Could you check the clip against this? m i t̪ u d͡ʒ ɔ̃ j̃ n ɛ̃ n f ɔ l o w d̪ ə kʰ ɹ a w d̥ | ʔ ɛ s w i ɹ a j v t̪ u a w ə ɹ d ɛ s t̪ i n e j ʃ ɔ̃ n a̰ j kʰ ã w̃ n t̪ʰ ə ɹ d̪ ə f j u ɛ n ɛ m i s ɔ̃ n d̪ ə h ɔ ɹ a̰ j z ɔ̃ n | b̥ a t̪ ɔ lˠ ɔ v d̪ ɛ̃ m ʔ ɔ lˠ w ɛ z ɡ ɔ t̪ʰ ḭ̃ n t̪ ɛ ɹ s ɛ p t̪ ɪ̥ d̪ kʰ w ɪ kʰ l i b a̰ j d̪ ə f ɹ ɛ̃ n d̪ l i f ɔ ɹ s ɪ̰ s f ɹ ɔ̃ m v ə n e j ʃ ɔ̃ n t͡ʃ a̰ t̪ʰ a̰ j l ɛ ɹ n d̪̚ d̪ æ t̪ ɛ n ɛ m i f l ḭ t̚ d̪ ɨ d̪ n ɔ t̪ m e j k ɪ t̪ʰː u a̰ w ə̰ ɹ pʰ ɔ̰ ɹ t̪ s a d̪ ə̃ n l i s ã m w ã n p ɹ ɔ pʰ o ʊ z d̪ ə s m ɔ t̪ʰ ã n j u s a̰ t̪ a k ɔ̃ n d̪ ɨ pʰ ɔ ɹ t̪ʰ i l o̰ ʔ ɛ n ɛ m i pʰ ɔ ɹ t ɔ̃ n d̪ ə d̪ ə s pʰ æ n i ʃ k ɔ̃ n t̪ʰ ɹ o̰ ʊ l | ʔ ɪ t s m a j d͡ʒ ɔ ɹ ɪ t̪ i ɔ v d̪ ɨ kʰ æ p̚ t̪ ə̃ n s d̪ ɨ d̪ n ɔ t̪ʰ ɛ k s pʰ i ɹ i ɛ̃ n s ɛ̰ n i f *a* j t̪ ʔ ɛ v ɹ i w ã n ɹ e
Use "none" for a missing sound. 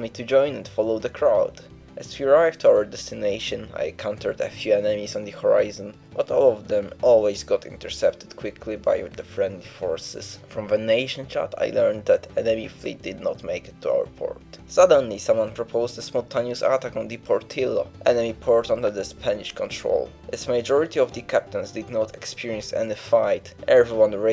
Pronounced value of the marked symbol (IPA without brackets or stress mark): a